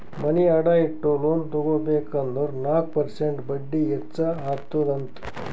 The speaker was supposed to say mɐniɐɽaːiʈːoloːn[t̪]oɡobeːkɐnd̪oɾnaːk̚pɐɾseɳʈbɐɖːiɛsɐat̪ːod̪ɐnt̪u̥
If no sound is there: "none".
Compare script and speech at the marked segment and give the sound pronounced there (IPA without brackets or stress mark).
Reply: t̪